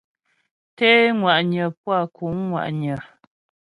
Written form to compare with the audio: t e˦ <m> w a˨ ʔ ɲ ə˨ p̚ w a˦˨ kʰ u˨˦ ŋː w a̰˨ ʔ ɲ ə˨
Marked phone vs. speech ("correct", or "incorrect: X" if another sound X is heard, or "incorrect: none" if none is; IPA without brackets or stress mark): incorrect: ŋ